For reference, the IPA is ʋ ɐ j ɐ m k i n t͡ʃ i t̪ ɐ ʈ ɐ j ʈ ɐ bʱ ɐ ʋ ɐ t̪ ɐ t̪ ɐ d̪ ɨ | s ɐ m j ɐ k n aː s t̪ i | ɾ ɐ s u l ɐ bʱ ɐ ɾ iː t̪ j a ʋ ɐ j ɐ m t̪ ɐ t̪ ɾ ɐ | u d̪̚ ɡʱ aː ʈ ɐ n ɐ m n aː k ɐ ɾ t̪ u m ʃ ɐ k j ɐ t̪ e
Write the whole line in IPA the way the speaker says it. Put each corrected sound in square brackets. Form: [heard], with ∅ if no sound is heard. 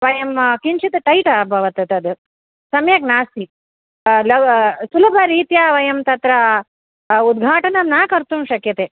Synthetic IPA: ʋ ɐ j ɐ m k i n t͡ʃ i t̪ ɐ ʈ ɐ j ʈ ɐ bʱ ɐ ʋ ɐ t̪ ɐ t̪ ɐ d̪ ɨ | s ɐ m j ɐ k n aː s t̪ i | [l] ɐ s u l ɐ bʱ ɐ ɾ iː t̪ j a ʋ ɐ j ɐ m t̪ ɐ t̪ ɾ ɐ | u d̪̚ ɡʱ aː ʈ ɐ n ɐ m n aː k ɐ ɾ t̪ u m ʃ ɐ k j ɐ t̪ e